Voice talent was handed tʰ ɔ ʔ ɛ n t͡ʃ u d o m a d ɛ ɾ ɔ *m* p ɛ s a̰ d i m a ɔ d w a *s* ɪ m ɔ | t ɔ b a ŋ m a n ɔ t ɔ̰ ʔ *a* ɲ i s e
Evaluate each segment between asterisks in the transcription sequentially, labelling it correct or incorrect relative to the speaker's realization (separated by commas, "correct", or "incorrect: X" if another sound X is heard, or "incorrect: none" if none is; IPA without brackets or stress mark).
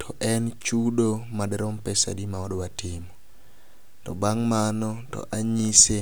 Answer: correct, incorrect: t, correct